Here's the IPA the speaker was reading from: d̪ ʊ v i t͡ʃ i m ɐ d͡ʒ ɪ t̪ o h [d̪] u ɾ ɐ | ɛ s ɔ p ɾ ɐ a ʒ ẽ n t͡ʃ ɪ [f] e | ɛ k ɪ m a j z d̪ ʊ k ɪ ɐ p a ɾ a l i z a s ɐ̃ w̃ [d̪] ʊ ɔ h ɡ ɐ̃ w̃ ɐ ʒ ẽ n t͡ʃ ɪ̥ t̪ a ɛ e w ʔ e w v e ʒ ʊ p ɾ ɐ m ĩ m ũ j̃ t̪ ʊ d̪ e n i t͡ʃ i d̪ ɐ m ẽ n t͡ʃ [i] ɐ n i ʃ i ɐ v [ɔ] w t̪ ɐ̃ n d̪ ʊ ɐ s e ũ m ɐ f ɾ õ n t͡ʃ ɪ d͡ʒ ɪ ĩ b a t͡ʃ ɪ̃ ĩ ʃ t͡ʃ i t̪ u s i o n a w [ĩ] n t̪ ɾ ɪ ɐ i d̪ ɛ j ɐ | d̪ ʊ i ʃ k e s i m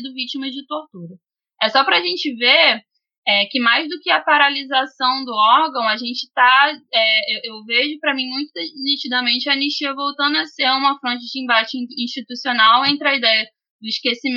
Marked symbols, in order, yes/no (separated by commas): no, no, yes, no, no, no